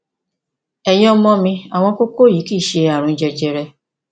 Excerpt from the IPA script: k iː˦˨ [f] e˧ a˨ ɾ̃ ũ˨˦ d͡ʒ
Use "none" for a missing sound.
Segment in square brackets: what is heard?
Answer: ʃ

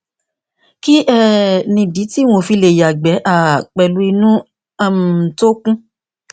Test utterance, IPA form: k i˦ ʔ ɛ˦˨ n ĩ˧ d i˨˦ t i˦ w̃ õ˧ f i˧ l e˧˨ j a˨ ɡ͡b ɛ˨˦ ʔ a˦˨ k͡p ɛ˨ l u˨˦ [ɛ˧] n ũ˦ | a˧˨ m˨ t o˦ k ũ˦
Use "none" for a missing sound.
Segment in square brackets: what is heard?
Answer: i˧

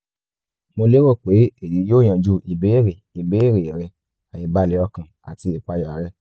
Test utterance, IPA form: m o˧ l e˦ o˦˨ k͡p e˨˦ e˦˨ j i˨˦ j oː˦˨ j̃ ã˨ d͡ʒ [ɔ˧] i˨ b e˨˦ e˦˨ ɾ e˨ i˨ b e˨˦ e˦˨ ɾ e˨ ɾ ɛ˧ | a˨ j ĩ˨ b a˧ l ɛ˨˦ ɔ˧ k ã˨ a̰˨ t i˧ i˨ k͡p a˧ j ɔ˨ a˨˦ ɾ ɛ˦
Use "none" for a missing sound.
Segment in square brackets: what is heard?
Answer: u˧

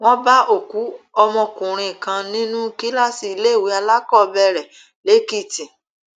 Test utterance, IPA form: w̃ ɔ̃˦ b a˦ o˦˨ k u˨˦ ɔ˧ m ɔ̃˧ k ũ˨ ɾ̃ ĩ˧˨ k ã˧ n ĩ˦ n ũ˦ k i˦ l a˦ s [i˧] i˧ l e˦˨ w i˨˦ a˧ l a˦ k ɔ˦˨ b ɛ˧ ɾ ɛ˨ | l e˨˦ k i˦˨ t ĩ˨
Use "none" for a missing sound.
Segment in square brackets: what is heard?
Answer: i˧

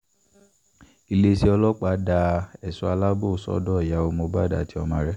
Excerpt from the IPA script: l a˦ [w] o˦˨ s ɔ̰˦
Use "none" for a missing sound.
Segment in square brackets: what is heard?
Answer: b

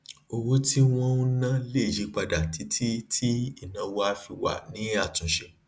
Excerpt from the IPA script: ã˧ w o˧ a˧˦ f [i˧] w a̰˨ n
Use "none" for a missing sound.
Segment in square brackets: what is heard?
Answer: i˧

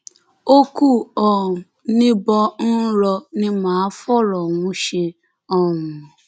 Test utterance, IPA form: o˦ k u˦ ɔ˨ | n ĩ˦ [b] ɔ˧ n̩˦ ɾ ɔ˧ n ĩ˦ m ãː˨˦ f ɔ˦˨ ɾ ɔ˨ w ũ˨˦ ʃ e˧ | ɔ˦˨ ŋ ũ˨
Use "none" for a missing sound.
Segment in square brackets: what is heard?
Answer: b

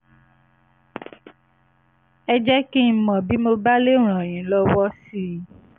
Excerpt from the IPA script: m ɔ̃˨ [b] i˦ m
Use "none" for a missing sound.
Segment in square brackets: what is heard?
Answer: b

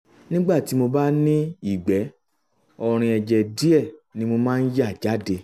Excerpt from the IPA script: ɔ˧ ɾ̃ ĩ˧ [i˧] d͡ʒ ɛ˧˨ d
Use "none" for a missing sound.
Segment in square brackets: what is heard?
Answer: ɛ˧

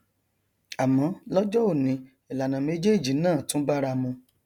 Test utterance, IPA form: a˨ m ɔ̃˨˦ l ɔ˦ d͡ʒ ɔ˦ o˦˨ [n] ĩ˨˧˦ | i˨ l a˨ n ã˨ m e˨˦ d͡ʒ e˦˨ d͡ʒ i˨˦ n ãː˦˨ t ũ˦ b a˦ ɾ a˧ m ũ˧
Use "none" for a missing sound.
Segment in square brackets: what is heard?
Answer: n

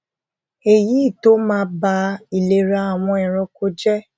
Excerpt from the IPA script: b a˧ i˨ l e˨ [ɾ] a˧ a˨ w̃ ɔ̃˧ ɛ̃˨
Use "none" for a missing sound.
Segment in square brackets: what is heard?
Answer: ɾ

